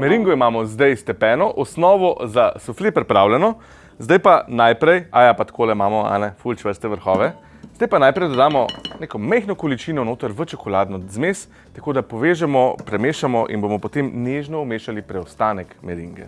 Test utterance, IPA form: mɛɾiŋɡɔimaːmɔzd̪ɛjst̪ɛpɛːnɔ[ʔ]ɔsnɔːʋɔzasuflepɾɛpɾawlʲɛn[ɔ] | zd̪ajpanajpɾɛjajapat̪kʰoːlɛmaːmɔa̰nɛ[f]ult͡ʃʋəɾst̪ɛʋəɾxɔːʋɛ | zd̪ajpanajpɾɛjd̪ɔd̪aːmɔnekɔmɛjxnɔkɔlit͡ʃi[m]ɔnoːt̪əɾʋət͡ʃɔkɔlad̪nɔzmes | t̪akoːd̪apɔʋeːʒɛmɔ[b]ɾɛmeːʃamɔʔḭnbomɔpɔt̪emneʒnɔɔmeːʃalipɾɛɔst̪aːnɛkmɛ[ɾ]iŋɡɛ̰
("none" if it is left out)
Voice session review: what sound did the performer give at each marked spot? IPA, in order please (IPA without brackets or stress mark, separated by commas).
ʔ, ɔ, f, n, p, ɾ